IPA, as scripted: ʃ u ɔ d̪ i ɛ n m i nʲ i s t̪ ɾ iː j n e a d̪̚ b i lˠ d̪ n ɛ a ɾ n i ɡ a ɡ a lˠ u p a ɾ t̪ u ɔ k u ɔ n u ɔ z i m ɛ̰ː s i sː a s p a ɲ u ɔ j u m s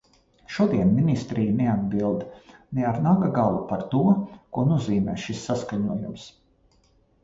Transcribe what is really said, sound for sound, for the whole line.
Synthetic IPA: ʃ u ɔ d̪ i ɛ n m i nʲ i s t̪ ɾ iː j n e a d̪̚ b i lˠ d̪ n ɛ a ɾ n a ɡ a ɡ a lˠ u p a ɾ t̪ u ɔ k u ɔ n u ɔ z iː m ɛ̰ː ʃ i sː a s k a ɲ u ɔ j u m s